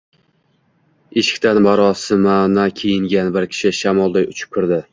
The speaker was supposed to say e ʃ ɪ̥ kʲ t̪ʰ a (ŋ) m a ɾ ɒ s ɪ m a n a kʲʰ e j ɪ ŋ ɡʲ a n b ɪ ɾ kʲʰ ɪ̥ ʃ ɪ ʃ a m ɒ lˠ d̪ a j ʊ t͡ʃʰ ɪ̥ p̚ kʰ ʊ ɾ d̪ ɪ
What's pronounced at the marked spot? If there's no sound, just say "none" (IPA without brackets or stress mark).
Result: n